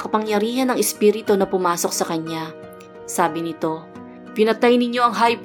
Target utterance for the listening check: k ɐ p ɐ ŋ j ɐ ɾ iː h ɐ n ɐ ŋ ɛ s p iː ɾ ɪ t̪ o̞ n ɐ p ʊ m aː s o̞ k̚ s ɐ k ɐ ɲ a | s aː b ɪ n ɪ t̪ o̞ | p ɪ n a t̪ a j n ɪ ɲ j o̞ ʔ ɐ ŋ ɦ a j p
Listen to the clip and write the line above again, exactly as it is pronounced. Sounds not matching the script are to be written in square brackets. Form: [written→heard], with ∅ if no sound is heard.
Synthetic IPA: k ɐ p ɐ ŋ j ɐ ɾ iː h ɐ n ɐ ŋ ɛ s p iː ɾ ɪ t̪ o̞ n ɐ p ʊ m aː s o̞ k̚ s ɐ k ɐ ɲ a | s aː b ɪ n ɪ t̪ o̞ | p ɪ n [a→ɐ] t̪ a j n ɪ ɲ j o̞ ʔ ɐ ŋ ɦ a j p